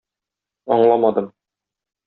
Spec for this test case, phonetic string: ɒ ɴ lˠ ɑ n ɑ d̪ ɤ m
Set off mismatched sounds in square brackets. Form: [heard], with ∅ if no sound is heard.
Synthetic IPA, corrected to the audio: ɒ ɴ lˠ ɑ [m] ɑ d̪ ɤ m